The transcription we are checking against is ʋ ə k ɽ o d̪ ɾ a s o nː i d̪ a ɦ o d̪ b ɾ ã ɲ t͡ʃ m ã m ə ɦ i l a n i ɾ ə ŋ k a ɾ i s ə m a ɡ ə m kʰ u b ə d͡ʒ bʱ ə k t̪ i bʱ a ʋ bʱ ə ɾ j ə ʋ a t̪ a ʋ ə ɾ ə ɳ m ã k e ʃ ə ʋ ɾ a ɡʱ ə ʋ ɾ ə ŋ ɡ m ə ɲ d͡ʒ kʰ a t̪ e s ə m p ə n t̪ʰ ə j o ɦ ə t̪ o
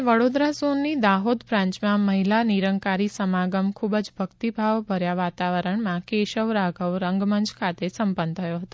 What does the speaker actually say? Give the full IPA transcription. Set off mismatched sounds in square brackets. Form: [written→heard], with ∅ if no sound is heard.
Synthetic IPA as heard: ʋ ə [k→∅] ɽ o d̪ ɾ a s o nː i d̪ a ɦ o d̪ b ɾ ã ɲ t͡ʃ m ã m ə ɦ i l a n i ɾ ə ŋ k a ɾ i s ə m a ɡ ə m kʰ u b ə d͡ʒ bʱ ə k t̪ i bʱ a ʋ bʱ ə ɾ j [ə→a] ʋ a t̪ a ʋ ə ɾ ə ɳ m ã k e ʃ ə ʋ ɾ a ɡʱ ə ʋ ɾ ə ŋ ɡ m ə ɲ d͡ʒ kʰ a t̪ e s ə m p ə n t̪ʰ ə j o ɦ ə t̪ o